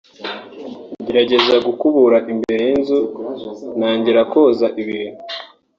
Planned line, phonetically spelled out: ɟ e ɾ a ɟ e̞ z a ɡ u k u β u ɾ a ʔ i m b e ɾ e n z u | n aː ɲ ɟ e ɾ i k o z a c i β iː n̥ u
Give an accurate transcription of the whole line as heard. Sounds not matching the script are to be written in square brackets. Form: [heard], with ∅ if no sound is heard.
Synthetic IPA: ɟ e ɾ a ɟ e̞ z a ɡ u k u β u ɾ a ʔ i m b e ɾ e n z u | n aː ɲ ɟ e ɾ [a] k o z a [ʔ] i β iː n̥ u